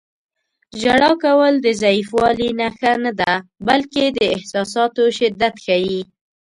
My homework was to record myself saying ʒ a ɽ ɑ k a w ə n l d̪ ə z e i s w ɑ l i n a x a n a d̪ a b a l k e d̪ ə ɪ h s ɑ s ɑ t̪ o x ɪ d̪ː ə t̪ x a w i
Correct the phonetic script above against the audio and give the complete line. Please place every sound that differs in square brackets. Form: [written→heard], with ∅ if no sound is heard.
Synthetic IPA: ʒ a ɽ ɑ k a w ə [n→∅] l d̪ ə z [e→a] i [s→f] w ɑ l i n a x a n a d̪ a b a l k e d̪ ə ɪ h s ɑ s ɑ t̪ o [x→ʃ] ɪ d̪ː [ə→a] t̪ x a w i